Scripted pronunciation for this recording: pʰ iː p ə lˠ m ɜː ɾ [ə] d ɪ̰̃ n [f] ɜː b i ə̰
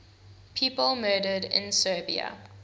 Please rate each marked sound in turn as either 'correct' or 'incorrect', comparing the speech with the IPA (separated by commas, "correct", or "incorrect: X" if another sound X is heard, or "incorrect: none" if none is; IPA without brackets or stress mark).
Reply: correct, incorrect: s